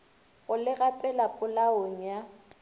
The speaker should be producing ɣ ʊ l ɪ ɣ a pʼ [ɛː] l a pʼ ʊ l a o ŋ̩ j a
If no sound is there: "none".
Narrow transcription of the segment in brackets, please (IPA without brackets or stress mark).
ɛ